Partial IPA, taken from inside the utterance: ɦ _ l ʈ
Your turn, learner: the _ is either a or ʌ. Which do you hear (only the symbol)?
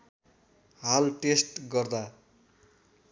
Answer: a